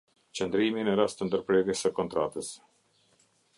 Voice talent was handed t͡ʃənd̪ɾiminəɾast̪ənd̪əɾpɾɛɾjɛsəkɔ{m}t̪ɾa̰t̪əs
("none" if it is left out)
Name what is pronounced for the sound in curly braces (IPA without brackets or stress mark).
n